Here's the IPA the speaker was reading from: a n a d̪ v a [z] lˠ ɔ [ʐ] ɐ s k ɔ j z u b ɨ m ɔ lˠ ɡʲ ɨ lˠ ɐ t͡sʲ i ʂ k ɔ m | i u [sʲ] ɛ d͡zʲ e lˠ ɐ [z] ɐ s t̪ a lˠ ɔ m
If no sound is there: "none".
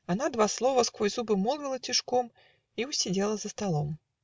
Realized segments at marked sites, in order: s, v, sʲ, z

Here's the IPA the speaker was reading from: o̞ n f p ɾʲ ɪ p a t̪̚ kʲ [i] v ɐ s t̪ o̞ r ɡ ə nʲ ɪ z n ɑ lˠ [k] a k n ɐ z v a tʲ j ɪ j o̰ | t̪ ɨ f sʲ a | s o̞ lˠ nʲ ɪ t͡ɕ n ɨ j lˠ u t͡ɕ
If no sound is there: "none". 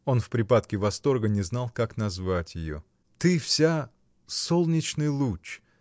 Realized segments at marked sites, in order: ɪ, k

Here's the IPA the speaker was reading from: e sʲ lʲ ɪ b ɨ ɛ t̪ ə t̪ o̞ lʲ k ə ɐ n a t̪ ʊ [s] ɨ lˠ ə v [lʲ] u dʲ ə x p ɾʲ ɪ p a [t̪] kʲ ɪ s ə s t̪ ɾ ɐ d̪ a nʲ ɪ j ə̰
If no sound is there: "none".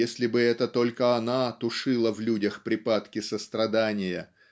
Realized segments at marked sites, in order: ʂ, lʲ, t̪

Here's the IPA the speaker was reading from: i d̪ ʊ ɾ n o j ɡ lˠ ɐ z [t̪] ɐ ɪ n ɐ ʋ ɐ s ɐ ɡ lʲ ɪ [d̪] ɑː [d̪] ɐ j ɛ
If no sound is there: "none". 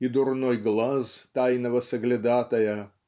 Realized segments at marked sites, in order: t̪, d̪, t̪

